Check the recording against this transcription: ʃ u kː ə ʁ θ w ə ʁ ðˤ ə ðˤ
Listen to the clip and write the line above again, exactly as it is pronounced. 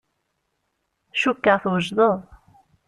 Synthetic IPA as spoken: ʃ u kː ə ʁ θ w ə ʒ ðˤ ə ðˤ